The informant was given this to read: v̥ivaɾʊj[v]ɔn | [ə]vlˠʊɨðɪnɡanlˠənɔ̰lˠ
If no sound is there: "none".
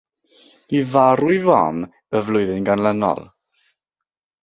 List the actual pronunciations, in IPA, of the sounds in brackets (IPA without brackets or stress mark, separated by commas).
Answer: v, ə